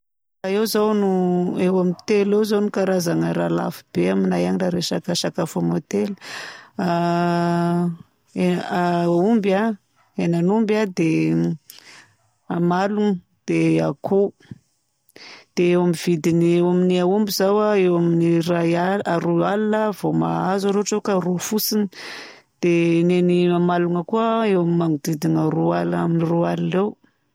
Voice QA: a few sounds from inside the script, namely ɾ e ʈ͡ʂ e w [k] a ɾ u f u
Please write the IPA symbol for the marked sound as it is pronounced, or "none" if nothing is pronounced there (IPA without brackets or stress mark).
k